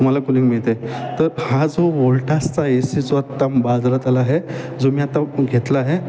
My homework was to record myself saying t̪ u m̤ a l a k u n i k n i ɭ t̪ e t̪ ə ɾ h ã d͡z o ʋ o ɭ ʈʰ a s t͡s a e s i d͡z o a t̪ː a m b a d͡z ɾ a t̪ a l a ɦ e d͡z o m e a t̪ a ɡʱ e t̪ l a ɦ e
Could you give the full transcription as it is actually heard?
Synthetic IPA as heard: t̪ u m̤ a l a k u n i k m i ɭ t̪ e t̪ ə ɾ h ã d͡z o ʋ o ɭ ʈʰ a s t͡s a e s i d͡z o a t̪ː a m b a d͡z ɾ a t̪ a l a ɦ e d͡z o m i a t̪ a ɡʱ e t̪ l a ɦ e